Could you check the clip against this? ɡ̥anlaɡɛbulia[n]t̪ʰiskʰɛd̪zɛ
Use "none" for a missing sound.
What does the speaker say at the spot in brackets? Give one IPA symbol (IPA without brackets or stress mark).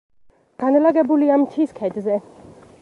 m